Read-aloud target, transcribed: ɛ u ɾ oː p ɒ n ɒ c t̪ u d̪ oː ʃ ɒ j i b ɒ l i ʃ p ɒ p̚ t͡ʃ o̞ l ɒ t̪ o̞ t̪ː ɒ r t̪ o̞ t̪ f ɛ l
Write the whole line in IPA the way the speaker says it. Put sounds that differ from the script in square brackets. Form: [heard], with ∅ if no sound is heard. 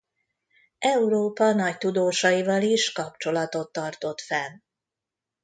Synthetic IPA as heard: ɛ u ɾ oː p ɒ n ɒ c t̪ u d̪ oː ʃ ɒ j i [v] ɒ l i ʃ [k] ɒ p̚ t͡ʃ o̞ l ɒ t̪ o̞ t̪ː ɒ r t̪ o̞ t̪ f ɛ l